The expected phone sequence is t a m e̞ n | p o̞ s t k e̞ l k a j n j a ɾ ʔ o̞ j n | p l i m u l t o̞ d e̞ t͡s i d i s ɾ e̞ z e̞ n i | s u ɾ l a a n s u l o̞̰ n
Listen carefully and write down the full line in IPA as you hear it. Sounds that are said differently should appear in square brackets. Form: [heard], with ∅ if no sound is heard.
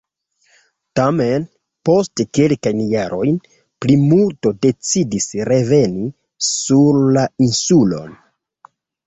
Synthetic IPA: t a m e̞ n | p o̞ s t k e̞ l k a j n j a ɾ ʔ o̞ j n | p l i m u l t o̞ d e̞ t͡s i d i s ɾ e̞ [v] e̞ n i | s u ɾ l a [i] n s u l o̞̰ n